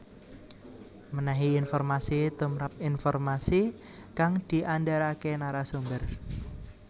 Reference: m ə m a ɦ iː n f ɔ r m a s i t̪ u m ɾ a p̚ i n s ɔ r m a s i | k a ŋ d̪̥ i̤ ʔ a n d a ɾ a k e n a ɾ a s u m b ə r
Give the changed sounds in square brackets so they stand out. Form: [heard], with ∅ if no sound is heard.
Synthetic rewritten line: m ə [n] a ɦ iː n f ɔ r m a s i t̪ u m ɾ a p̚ i n [f] ɔ r m a s i | k a ŋ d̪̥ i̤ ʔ a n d a ɾ a k e n a ɾ a s u m b ə r